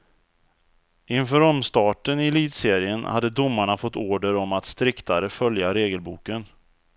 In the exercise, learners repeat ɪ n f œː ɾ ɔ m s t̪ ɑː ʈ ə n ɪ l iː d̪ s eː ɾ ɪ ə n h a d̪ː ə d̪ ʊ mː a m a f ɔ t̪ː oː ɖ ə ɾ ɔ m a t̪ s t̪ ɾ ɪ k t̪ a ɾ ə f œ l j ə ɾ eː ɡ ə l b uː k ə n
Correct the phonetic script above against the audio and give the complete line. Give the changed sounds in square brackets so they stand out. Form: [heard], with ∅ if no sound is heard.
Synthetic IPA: ɪ n f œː ɾ ɔ m s t̪ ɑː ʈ ə n ɪ l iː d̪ s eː ɾ ɪ ə n h a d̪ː ə d̪ ʊ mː a [ɳ] a f ɔ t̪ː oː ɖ ə ɾ ɔ m a t̪ s t̪ ɾ ɪ k t̪ a ɾ ə f œ l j [a] ɾ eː ɡ ə l b uː k ə n